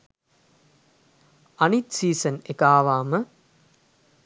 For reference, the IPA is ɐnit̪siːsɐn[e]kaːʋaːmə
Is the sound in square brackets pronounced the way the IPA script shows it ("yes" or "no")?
yes